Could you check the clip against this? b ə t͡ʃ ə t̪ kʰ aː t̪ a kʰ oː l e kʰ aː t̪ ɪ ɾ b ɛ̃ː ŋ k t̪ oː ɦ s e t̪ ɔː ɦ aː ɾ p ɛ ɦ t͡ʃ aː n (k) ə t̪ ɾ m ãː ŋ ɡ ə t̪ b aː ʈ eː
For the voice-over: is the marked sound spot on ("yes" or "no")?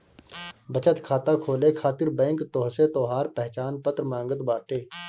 no